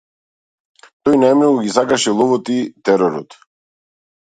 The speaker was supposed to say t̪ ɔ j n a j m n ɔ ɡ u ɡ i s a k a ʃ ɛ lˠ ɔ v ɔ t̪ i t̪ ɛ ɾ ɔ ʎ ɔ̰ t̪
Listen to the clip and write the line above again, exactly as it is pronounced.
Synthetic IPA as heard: t̪ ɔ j n a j m n ɔ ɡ u ɡ i s a k a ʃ ɛ lˠ ɔ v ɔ t̪ i t̪ ɛ ɾ ɔ ɾ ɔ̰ t̪

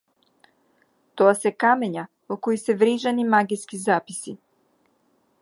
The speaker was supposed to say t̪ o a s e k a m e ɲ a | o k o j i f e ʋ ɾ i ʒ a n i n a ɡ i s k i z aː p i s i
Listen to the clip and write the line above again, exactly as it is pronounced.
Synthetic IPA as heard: t̪ o a s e k a m e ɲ a | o k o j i s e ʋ ɾ i ʒ a n i m a ɡ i s k i z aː p i s i

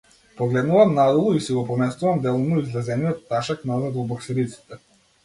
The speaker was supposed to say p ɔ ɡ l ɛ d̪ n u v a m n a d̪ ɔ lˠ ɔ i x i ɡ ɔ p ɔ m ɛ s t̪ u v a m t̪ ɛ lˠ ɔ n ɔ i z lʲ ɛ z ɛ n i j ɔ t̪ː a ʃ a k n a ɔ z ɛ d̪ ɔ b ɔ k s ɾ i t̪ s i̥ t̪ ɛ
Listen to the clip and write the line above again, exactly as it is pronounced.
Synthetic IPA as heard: p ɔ ɡ l ɛ d̪ n u v a m n a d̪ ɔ lˠ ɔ i s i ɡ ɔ p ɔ m ɛ s t̪ u v a m d̪ ɛ lˠ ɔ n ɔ i z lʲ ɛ z ɛ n i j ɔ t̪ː a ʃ a k n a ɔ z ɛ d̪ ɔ b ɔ k s ɾ i t̪ s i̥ t̪ ɛ

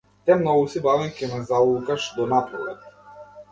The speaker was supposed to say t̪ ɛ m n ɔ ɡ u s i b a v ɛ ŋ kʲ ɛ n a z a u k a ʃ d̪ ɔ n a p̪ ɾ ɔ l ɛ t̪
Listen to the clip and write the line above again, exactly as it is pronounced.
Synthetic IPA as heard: t̪ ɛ m n ɔ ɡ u s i b a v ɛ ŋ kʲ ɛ n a z a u k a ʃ d̪ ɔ n a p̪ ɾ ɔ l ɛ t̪

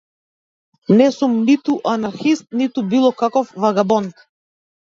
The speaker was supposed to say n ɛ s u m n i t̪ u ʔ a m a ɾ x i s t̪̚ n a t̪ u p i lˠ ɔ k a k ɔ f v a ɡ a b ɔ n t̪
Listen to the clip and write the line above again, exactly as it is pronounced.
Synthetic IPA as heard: n ɛ s u m n i t̪ u ʔ a n a ɾ x i s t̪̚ n i t̪ u b i lˠ ɔ k a k ɔ f v a ɡ a b ɔ n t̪

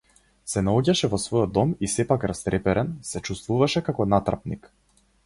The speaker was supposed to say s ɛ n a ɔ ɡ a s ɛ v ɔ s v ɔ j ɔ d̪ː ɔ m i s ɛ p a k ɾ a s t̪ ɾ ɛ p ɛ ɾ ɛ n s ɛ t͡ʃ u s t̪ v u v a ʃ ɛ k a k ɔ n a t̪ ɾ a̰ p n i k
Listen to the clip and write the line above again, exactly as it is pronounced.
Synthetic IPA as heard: s ɛ n a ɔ ɟ a ʃ ɛ v ɔ s v ɔ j ɔ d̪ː ɔ m i s ɛ p a k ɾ a s t̪ ɾ ɛ p ɛ ɾ ɛ n s ɛ t͡ʃ u s t̪ v u v a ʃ ɛ k a k ɔ n a t̪ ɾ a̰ p n i k

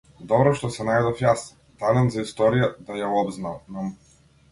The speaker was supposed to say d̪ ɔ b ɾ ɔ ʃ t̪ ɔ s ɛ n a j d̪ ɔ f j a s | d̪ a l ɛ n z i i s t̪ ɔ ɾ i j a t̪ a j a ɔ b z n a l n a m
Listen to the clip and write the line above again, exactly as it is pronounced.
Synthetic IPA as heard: d̪ ɔ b ɾ ɔ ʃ t̪ ɔ s ɛ n a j d̪ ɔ f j a s | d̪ a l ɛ n z a i s t̪ ɔ ɾ i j a d̪ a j a ɔ b z n a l n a m

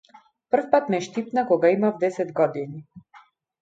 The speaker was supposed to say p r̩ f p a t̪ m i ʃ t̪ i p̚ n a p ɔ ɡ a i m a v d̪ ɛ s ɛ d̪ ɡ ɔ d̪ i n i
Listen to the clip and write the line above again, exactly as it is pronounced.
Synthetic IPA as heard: p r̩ f p a t̪ m ɛ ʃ t̪ i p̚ n a k ɔ ɡ a i m a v d̪ ɛ s ɛ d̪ ɡ ɔ d̪ i n i

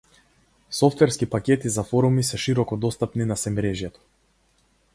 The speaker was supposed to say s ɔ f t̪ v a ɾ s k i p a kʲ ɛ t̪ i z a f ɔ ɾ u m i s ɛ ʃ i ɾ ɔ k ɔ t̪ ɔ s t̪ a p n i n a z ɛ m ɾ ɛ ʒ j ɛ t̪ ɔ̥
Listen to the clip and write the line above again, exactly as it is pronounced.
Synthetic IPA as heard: s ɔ f t̪ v ɛ ɾ s k i p a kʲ ɛ t̪ i z a f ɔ ɾ u m i s ɛ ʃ i ɾ ɔ k ɔ d̪ ɔ s t̪ a p n i n a s ɛ m ɾ ɛ ʒ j ɛ t̪ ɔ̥

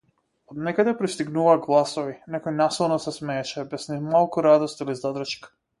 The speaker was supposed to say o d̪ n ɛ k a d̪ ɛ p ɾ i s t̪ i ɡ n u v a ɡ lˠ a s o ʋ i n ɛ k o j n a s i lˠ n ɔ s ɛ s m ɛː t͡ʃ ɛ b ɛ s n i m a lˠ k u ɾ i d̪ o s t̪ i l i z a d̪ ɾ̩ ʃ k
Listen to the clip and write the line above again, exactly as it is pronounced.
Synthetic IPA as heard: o d̪ n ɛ k a d̪ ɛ p ɾ i s t̪ i ɡ n u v a ɡ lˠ a s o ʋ i n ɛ k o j n a s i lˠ n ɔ s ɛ s m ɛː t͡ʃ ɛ b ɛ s n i m a lˠ k u ɾ a d̪ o s t̪ i l i z a d̪ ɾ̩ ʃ k

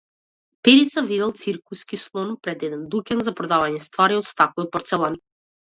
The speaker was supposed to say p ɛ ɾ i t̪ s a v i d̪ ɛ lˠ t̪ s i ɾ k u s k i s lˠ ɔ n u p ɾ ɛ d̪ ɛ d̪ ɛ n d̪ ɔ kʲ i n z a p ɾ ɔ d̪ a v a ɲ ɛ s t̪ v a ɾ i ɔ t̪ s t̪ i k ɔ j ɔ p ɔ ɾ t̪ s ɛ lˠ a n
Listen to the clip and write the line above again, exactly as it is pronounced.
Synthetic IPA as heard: p ɛ ɾ i t̪ s a v i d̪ ɛ lˠ t̪ s i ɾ k u s k i s lˠ ɔ n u p ɾ ɛ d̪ ɛ d̪ ɛ n d̪ u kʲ ɛ n z a p ɾ ɔ d̪ a v a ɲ ɛ s t̪ v a ɾ i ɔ t̪ s t̪ a k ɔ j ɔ p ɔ ɾ t̪ s ɛ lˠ a n

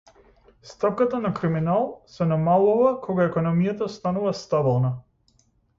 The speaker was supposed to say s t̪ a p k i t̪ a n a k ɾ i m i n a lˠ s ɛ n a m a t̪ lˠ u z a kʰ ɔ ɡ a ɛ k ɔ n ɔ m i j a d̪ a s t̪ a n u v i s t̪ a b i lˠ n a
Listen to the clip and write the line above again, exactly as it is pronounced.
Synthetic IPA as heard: s t̪ a p k a t̪ a n a k ɾ i m i n a lˠ s ɛ n a m a lˠ u v a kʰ ɔ ɡ a ɛ k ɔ n ɔ m i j a t̪ a s t̪ a n u v a s t̪ a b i lˠ n a

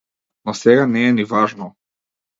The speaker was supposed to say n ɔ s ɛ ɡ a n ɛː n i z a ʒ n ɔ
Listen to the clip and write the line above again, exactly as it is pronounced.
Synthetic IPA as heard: n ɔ s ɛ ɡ a n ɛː n i v a ʒ n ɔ

